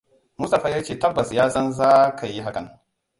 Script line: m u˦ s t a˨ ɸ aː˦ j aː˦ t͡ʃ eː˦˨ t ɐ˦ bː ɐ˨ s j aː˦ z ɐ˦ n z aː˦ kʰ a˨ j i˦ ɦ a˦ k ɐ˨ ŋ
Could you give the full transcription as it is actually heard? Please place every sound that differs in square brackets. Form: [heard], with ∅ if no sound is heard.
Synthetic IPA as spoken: m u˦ s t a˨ ɸ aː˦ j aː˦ t͡ʃ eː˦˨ t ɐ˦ bː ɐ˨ s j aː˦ [s] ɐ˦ n z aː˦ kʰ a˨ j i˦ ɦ a˦ k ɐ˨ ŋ